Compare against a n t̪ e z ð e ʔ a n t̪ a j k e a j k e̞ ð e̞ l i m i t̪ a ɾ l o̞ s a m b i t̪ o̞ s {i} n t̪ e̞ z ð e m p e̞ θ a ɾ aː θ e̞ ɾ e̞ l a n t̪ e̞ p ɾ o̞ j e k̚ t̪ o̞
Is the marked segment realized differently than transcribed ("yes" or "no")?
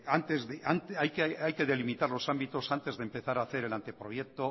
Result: yes